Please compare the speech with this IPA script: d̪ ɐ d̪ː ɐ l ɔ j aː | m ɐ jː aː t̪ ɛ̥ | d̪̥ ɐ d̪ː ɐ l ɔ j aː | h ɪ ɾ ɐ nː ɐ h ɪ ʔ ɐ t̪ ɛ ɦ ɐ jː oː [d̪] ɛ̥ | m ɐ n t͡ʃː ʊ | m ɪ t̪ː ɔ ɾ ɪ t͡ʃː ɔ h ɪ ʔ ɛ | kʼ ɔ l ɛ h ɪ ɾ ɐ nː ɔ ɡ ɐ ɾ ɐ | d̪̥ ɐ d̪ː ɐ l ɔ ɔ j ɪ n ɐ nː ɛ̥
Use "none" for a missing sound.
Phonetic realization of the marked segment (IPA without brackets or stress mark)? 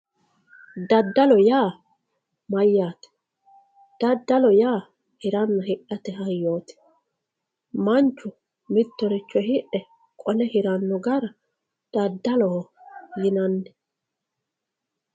t̪